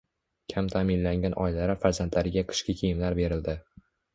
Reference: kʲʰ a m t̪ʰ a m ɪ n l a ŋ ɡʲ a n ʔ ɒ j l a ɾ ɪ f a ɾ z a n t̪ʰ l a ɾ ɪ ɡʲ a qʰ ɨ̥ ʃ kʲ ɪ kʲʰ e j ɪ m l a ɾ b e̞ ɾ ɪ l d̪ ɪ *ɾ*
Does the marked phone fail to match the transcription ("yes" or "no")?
yes